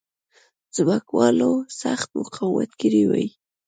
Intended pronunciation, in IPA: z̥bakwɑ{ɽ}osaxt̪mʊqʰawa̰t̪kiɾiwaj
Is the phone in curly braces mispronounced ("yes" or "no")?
yes